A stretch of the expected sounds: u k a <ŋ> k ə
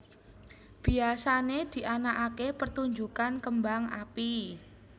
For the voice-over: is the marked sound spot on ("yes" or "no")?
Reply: no